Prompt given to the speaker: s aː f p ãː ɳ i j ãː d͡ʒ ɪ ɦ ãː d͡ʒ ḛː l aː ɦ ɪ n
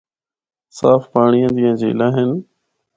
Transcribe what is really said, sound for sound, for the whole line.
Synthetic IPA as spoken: s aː f p aː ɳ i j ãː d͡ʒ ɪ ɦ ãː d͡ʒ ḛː l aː ɦ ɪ n